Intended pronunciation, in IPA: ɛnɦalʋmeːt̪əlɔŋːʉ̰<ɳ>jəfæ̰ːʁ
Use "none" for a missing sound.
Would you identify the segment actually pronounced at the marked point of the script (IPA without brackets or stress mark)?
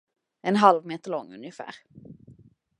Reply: n